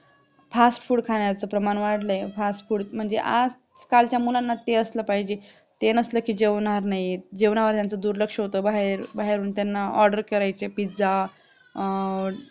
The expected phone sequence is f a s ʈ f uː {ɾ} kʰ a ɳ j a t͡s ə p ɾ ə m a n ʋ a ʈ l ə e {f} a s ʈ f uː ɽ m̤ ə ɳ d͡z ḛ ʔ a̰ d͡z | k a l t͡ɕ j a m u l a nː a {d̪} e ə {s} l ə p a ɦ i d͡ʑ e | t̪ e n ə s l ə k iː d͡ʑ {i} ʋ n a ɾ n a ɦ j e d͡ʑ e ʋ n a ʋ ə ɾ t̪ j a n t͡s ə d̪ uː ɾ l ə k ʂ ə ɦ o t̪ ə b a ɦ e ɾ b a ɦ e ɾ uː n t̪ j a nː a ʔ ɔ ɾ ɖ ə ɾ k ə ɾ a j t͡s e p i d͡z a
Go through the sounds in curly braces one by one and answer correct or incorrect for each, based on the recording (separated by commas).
incorrect, correct, incorrect, correct, incorrect